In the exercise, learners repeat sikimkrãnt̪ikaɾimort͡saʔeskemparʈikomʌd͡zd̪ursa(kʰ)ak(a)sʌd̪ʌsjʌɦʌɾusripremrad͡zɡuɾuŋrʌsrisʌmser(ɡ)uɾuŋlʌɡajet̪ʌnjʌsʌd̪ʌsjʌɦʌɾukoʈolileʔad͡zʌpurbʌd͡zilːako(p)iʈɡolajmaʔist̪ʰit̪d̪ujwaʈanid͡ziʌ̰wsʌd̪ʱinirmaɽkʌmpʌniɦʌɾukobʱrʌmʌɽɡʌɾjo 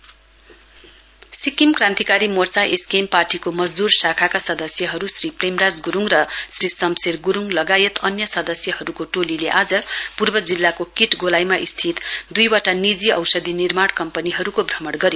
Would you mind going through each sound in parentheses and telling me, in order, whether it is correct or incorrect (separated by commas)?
correct, correct, correct, incorrect